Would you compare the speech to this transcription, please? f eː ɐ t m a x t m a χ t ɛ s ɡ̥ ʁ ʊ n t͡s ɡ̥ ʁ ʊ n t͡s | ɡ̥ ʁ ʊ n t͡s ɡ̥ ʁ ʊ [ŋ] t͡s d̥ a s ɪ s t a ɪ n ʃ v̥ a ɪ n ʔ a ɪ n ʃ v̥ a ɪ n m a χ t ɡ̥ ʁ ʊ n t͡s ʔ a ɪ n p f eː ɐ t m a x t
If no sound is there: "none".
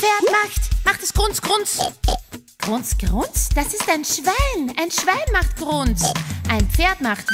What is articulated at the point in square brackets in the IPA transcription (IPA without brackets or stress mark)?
n